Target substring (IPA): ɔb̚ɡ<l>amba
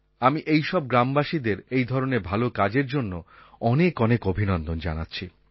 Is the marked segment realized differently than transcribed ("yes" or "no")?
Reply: yes